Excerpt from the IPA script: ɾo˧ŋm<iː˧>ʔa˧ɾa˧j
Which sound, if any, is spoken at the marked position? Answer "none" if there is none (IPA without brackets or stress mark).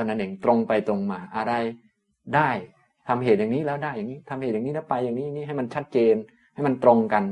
aː˧